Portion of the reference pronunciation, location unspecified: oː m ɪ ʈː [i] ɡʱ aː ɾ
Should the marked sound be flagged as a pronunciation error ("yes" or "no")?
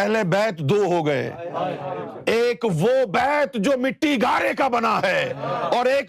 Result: no